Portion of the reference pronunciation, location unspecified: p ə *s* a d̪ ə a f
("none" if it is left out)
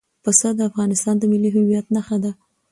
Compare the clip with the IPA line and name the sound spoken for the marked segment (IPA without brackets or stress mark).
s